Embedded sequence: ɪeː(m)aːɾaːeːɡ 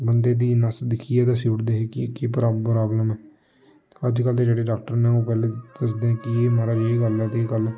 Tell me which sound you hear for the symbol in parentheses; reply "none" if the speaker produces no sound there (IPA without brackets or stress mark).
m